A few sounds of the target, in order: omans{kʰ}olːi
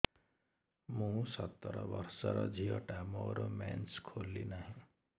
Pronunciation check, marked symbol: correct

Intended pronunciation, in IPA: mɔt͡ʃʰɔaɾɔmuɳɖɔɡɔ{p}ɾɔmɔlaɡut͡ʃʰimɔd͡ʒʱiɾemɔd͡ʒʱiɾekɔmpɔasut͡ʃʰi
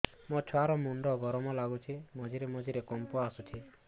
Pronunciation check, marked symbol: incorrect: none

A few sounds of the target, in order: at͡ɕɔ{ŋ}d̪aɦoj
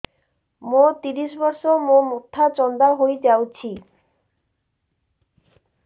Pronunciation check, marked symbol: incorrect: n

